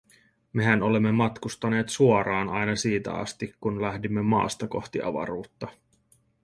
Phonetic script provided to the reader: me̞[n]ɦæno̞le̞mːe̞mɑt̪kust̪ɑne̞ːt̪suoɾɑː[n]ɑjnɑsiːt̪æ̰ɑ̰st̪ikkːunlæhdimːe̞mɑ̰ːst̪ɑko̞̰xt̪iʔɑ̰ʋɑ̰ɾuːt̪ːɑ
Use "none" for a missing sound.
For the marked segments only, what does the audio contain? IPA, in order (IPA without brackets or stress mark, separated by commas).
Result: none, n